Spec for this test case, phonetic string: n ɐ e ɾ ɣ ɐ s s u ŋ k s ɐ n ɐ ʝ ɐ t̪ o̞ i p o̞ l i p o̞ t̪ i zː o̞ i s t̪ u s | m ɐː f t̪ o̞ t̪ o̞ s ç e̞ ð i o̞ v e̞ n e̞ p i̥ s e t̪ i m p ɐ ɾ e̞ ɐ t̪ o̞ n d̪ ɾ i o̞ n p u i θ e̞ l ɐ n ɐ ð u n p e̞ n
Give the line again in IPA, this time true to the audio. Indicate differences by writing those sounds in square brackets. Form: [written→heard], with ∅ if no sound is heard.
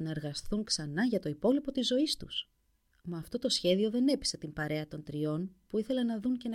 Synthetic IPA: n ɐ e ɾ ɣ ɐ s [s→θ] u ŋ k s ɐ n ɐ ʝ ɐ t̪ o̞ i p o̞ l i p o̞ t̪ i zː o̞ i s t̪ u s | m ɐː f t̪ o̞ t̪ o̞ s ç e̞ ð i o̞ [v→ð] e̞ n e̞ p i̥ s e t̪ i m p ɐ ɾ e̞ ɐ t̪ o̞ n [d̪→t̪] ɾ i o̞ n p u i θ e̞ l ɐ n ɐ ð u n [p→c] e̞ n